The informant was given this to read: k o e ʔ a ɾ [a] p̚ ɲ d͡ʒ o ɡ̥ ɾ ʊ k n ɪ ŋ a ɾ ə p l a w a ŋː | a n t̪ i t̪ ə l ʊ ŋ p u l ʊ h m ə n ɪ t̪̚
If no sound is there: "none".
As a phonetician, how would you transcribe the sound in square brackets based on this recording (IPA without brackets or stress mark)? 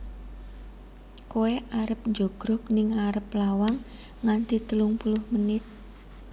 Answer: ə